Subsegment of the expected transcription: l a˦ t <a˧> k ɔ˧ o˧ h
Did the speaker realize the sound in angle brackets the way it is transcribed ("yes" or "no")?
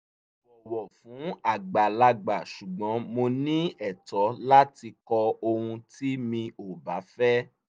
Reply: no